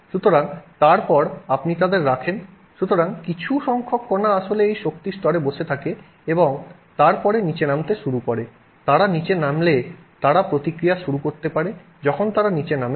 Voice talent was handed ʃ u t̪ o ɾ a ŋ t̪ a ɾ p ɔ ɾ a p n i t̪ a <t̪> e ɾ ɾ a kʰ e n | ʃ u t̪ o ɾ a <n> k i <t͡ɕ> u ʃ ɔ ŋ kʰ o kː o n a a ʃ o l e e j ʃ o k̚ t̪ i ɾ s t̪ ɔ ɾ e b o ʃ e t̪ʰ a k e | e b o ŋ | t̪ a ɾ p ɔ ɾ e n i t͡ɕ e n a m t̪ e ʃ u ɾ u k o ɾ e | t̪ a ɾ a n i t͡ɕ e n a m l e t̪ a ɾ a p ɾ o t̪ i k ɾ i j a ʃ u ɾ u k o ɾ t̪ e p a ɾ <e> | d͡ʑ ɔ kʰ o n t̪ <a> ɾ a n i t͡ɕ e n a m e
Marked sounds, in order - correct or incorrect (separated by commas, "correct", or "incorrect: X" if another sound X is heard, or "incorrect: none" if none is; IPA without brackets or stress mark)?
incorrect: d̪, incorrect: ŋ, incorrect: t͡ɕʰ, correct, correct